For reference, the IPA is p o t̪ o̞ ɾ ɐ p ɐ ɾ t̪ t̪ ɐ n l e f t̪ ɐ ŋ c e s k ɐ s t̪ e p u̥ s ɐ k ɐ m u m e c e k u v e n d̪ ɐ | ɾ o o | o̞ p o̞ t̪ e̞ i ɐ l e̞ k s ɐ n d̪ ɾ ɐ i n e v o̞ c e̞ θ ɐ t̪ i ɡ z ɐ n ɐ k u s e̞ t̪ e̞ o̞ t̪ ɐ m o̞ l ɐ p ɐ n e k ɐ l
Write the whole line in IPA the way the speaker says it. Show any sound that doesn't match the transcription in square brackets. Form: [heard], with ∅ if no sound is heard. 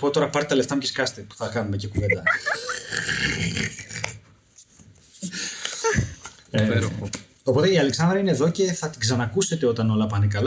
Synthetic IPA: p o t̪ o̞ ɾ ɐ p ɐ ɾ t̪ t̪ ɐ [∅] l e f t̪ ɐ [m] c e s k ɐ s t̪ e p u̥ [θ] ɐ k ɐ [n] u m e c e k u v e n d̪ ɐ | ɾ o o | o̞ p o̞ t̪ e̞ i ɐ l e̞ k s ɐ n d̪ ɾ ɐ i n e [ð] o̞ c e̞ θ ɐ t̪ i ɡ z ɐ n ɐ k u s e̞ t̪ e̞ o̞ t̪ ɐ [n] o̞ l ɐ p ɐ n e k ɐ l